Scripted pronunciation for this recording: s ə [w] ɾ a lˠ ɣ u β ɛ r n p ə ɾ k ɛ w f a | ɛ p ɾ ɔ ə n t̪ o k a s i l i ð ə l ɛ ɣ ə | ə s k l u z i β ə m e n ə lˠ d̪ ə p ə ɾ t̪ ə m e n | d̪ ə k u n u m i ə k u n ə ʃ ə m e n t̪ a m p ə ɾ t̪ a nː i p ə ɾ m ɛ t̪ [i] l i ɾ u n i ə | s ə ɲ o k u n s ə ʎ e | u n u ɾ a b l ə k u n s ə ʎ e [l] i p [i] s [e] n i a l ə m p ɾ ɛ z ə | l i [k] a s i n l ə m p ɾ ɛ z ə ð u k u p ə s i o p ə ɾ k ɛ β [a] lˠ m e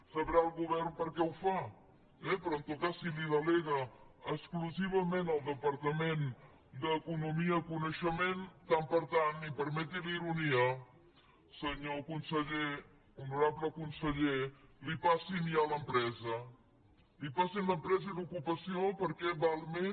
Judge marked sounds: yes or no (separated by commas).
no, yes, yes, no, no, no, yes